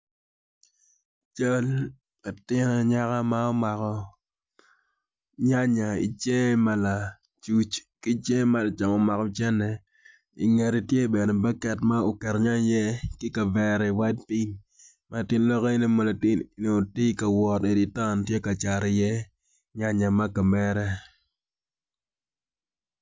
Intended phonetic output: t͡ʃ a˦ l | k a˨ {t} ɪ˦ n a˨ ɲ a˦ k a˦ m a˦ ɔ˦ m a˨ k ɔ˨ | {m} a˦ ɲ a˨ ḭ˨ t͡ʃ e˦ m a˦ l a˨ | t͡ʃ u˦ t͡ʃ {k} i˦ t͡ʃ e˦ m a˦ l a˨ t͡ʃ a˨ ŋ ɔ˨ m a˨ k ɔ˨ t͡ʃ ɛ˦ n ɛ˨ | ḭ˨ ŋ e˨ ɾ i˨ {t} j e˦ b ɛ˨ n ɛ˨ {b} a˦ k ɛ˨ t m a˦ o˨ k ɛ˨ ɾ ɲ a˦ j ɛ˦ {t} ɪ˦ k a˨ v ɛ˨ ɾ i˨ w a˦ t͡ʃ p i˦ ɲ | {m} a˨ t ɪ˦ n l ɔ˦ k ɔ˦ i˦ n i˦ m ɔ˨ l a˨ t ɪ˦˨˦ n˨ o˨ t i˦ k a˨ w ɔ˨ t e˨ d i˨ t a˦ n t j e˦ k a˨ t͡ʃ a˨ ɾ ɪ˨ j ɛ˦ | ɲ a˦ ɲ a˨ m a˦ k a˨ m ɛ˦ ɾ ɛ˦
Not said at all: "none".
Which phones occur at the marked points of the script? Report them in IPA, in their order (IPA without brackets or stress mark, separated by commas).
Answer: t, ɲ, k, t, b, k, m